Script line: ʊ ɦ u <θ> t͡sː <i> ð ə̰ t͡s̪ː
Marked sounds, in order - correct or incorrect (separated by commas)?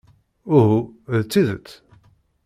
incorrect, correct